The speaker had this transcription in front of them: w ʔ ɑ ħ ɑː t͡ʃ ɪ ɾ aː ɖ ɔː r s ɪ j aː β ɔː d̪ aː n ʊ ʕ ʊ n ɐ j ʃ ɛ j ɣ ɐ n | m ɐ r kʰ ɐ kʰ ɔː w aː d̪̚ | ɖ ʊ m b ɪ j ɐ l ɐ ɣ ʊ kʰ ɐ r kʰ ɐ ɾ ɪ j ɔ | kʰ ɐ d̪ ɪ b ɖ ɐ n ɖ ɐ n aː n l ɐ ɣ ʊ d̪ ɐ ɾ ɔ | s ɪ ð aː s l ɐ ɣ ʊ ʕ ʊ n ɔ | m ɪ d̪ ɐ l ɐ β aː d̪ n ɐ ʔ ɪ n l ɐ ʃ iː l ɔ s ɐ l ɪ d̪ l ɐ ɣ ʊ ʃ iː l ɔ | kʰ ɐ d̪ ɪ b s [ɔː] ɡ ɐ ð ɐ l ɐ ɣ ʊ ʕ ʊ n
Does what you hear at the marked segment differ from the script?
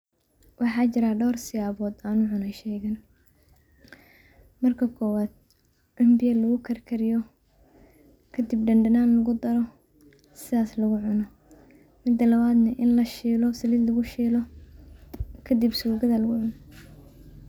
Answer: yes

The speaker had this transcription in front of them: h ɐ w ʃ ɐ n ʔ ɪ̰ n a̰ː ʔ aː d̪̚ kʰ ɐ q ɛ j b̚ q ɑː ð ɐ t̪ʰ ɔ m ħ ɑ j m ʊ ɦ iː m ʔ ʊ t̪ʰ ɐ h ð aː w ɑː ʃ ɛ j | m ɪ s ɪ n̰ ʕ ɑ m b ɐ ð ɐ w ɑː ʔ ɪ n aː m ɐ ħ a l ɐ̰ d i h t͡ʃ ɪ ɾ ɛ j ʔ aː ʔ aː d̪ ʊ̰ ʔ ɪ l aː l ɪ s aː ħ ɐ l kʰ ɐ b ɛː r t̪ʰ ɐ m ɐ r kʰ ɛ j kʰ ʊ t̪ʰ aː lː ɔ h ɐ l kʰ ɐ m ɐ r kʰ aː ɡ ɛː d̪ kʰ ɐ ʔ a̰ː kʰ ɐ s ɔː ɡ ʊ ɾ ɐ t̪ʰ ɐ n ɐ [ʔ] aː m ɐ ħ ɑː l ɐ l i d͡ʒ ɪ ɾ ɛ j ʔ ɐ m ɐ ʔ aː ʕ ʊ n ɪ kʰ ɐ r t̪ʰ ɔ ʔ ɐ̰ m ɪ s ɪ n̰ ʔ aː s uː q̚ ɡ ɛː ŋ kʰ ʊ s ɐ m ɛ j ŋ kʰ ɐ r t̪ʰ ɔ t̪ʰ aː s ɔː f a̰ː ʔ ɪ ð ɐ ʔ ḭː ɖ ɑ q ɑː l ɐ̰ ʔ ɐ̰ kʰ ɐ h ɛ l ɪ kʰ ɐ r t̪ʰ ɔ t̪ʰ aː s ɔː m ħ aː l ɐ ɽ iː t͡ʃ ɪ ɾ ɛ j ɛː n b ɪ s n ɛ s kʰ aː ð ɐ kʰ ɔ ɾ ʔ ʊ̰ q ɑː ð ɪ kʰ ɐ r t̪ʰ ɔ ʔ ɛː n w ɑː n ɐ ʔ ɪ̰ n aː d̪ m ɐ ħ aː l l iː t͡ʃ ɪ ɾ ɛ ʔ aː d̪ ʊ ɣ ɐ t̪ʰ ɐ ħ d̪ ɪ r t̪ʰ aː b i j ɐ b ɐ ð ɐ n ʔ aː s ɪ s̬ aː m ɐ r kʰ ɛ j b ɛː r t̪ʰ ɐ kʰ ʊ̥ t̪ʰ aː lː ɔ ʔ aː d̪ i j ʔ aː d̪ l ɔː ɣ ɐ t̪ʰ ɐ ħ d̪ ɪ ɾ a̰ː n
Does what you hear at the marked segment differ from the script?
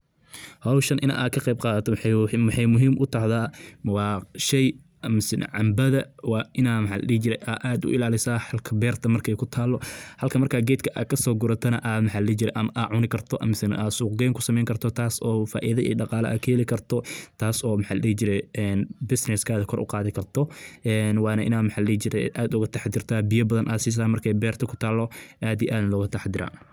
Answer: no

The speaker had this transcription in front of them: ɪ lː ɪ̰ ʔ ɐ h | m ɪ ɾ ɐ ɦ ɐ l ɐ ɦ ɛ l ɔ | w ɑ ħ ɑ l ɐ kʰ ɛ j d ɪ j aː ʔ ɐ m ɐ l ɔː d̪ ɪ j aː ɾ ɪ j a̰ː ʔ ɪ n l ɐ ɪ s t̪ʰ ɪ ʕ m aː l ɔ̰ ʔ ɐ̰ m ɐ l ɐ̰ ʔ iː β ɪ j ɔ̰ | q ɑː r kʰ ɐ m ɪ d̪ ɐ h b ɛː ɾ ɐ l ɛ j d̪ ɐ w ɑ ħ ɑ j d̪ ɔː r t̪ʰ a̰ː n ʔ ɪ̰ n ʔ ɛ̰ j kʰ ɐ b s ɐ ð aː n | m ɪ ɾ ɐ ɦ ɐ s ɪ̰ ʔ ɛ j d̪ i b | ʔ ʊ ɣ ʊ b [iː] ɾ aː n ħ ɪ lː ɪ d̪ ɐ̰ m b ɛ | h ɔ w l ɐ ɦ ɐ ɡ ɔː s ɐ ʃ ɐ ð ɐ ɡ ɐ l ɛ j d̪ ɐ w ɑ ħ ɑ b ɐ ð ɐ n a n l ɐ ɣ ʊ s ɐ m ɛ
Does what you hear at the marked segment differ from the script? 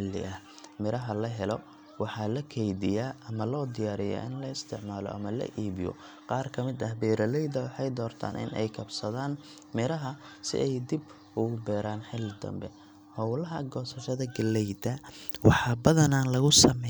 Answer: yes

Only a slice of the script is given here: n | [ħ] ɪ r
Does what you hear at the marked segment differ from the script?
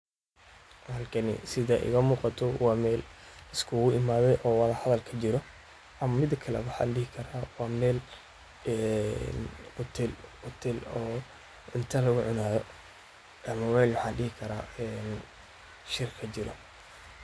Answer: yes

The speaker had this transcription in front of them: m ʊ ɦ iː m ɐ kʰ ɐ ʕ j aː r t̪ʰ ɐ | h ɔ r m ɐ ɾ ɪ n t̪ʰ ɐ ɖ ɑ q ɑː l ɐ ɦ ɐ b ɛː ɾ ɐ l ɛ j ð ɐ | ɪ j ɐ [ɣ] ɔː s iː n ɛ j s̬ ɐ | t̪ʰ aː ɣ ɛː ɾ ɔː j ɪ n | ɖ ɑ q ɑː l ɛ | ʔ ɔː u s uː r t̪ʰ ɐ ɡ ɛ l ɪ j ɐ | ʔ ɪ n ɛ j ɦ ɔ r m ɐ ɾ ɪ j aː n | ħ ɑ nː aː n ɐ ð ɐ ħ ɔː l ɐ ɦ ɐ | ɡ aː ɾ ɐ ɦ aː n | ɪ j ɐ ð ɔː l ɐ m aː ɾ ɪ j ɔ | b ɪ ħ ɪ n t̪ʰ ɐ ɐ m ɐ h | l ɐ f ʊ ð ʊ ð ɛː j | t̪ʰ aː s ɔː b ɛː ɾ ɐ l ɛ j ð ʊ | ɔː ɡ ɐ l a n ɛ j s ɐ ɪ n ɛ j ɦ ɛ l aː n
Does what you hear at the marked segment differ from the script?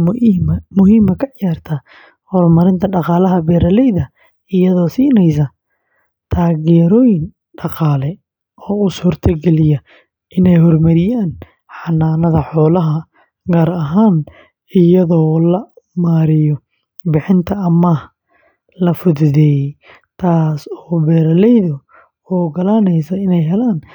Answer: yes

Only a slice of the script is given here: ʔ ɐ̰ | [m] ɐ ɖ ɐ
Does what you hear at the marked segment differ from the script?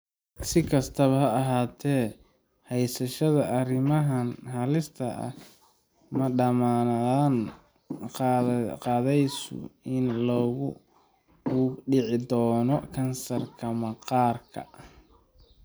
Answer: no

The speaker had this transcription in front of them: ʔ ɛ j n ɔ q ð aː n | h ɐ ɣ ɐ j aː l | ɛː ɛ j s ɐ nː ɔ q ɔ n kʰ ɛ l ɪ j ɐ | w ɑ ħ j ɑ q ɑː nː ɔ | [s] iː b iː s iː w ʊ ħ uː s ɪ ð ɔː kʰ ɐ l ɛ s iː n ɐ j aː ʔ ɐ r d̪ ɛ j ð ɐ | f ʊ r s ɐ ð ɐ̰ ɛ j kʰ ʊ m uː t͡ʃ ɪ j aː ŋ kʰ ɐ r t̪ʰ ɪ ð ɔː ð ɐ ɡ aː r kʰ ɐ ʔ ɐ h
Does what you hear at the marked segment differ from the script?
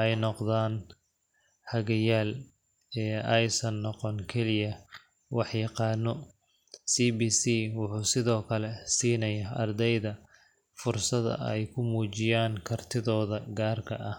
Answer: no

